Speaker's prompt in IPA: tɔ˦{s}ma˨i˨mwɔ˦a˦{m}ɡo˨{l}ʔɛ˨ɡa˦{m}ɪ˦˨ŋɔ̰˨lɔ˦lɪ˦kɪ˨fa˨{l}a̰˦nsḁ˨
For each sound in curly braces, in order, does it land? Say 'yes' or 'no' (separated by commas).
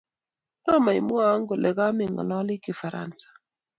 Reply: no, no, yes, yes, no